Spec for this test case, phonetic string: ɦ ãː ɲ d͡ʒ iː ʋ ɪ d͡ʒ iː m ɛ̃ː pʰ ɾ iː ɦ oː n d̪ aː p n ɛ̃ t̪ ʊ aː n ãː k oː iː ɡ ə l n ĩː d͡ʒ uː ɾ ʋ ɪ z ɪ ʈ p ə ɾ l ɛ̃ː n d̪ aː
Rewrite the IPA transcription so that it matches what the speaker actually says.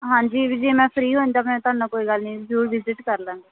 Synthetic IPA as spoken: ɦ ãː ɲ d͡ʒ iː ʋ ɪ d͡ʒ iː m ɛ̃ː pʰ ɾ iː ɦ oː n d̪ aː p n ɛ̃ t̪ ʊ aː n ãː k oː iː ɡ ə l n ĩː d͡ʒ uː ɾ ʋ ɪ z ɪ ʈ k ə ɾ l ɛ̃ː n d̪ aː